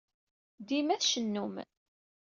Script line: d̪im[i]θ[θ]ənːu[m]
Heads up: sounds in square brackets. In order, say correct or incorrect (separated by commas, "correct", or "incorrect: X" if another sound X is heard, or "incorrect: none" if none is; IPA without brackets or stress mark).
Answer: incorrect: æ, incorrect: ʃ, correct